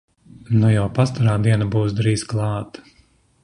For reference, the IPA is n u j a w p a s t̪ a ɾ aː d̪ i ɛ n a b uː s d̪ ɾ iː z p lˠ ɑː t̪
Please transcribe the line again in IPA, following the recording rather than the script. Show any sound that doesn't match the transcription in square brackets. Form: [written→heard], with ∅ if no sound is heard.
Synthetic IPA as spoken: n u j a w p a s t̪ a ɾ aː d̪ i ɛ n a b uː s d̪ ɾ iː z [p→k] lˠ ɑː t̪